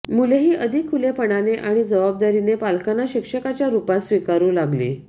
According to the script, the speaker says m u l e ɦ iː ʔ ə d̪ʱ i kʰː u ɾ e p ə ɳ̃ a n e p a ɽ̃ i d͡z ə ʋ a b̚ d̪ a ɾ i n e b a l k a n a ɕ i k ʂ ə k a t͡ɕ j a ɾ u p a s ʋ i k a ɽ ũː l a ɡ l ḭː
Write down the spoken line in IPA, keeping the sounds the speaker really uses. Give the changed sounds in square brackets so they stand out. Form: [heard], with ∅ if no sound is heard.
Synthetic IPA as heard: m u l e ɦ iː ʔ ə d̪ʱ i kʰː u [l] e p ə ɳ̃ a n e [ʔ] a ɽ̃ i d͡z ə ʋ a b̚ d̪ a ɾ i n e [p] a l k a n a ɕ i k ʂ ə k a t͡ɕ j a ɾ u p a s ʋ i k a [ɾ] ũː l a ɡ l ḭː